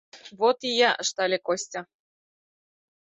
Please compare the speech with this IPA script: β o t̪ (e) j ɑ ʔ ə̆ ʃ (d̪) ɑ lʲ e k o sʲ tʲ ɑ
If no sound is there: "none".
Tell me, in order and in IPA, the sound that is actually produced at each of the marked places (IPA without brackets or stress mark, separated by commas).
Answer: i, t̪